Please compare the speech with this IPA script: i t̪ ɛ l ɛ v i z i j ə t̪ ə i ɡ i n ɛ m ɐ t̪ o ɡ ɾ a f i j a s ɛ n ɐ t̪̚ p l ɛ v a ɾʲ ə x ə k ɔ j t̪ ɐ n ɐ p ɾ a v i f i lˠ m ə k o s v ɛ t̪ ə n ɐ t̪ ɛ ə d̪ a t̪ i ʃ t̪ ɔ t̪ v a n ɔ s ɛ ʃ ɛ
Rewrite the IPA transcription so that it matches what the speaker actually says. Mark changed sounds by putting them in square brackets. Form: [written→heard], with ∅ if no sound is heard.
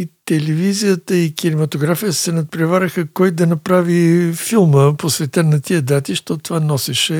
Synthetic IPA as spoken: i t̪ ɛ l ɛ v i z i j ə t̪ ə i [ɡ→k] i n ɛ m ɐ t̪ o ɡ ɾ a f i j [a→ə] s ɛ n ɐ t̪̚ p [l→ɾ] ɛ v a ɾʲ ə x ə k ɔ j [t̪→d̪] ɐ n ɐ p ɾ a v i f i lˠ m ə [k→p] o s v ɛ t̪ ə n ɐ t̪ [ɛ→i] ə d̪ a t̪ i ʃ t̪ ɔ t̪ v a n ɔ s ɛ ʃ ɛ